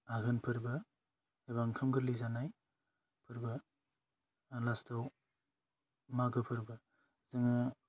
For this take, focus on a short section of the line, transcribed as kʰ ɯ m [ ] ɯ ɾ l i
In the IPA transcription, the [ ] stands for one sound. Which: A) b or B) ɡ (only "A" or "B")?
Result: B